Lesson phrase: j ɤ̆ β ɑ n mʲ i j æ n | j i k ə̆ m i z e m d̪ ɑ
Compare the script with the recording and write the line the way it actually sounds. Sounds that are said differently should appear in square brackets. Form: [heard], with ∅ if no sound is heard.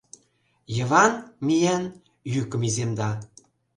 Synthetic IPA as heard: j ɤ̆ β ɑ n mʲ i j æ n | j [y] k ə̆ m i z e m d̪ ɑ